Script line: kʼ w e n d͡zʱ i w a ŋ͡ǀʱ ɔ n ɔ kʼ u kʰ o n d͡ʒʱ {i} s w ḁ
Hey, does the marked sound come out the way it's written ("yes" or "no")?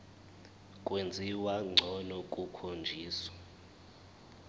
no